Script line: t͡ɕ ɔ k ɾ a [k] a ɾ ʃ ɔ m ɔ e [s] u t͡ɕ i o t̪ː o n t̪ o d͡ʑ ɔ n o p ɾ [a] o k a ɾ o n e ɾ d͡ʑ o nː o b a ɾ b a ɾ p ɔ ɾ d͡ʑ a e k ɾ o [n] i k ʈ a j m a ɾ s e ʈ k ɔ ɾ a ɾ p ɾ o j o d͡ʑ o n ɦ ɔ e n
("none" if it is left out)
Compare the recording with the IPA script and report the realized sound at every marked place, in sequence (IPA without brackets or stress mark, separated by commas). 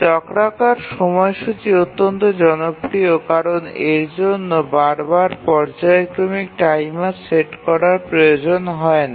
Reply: k, ʃ, i, m